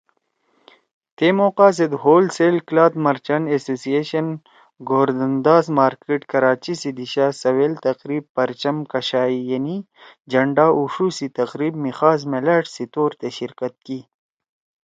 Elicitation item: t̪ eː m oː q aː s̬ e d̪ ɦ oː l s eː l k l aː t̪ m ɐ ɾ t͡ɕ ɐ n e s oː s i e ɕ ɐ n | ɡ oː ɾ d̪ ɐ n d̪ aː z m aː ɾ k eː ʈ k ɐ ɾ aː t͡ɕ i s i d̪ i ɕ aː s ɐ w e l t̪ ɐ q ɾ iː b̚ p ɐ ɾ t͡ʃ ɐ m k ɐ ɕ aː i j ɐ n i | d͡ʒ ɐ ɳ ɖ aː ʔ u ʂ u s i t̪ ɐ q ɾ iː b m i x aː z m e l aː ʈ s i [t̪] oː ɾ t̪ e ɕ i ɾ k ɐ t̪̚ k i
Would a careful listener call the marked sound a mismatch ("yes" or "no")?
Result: no